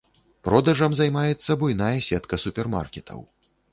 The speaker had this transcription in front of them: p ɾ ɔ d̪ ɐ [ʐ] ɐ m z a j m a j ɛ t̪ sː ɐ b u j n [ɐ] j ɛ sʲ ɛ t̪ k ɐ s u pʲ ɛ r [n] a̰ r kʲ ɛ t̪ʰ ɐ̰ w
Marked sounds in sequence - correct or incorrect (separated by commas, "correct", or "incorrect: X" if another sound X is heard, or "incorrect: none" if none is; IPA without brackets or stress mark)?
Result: correct, incorrect: a, incorrect: m